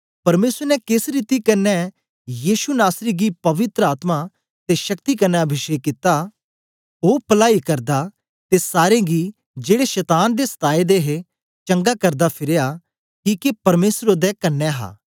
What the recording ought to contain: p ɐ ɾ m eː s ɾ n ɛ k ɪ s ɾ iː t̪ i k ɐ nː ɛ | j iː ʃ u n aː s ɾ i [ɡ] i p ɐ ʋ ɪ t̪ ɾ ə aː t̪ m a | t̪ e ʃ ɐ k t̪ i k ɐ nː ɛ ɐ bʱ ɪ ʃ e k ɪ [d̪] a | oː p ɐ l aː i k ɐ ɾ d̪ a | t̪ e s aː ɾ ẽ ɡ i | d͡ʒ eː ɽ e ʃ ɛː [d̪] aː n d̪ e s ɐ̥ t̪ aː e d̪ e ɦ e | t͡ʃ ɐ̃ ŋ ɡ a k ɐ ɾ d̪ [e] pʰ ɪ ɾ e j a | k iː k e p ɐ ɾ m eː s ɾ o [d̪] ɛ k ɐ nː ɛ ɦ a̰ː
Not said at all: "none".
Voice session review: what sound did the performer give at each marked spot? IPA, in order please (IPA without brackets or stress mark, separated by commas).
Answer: ɡ, t̪, t̪, a, d̪